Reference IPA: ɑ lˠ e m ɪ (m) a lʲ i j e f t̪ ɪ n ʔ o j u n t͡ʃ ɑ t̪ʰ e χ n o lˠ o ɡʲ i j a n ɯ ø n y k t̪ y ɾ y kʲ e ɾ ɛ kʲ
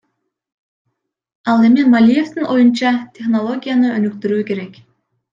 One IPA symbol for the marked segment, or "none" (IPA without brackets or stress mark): m